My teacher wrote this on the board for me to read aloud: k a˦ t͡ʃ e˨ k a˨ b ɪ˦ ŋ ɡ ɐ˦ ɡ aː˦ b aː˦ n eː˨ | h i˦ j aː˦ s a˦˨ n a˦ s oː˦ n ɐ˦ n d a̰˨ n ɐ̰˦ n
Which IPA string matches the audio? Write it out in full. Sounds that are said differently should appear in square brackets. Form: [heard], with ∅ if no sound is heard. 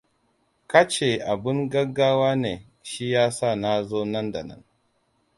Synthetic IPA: k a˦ t͡ʃ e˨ [ʔ] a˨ b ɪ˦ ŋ ɡ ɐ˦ ɡ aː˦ [w] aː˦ n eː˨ | [ʃ] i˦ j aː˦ s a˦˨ n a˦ [z] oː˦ n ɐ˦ n d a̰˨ n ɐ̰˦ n